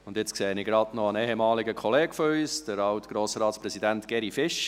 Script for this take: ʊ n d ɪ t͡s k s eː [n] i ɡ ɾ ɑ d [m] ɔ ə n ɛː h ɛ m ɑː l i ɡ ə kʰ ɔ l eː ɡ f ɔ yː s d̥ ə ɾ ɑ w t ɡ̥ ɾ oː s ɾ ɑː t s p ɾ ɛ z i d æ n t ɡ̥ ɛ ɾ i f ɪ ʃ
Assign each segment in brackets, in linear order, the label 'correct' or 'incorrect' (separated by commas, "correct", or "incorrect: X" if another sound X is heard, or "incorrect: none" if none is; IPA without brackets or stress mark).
correct, incorrect: n